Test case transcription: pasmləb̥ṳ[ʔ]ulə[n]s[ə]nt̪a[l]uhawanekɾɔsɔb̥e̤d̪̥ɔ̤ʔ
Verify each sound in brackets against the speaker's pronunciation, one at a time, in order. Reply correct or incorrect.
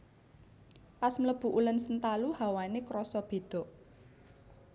correct, correct, correct, correct

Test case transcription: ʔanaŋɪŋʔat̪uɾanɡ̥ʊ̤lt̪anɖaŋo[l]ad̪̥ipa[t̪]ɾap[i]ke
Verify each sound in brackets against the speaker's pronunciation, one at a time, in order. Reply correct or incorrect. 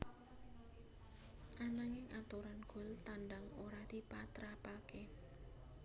incorrect, correct, incorrect

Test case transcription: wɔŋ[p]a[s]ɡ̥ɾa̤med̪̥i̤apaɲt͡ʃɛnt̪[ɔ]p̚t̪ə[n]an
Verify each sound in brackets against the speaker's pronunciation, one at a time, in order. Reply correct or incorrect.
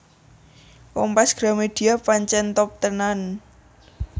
correct, correct, correct, correct

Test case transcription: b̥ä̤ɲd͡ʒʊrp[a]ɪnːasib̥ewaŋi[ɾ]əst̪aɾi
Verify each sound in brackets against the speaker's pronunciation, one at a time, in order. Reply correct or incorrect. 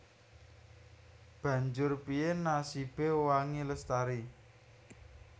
incorrect, incorrect

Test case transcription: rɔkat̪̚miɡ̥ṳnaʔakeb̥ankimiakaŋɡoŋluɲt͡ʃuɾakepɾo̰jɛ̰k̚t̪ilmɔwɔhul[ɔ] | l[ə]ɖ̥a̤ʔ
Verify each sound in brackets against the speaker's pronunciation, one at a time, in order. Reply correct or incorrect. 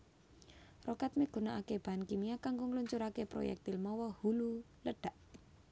incorrect, correct

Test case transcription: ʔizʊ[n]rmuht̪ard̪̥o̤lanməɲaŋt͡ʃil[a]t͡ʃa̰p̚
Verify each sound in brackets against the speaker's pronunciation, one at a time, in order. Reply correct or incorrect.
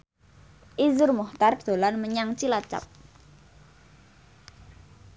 incorrect, correct

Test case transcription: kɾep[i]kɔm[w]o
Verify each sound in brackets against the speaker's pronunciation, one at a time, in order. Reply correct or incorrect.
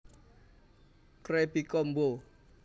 correct, incorrect

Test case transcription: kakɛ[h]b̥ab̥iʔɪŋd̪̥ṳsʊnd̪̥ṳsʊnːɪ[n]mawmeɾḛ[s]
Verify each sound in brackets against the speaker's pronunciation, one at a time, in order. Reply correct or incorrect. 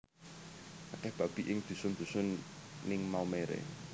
correct, incorrect, incorrect

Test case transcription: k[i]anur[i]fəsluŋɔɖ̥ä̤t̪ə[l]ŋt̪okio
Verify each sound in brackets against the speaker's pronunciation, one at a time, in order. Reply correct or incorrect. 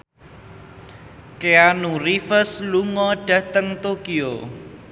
incorrect, correct, incorrect

